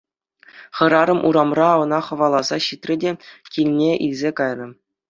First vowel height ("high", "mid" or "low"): mid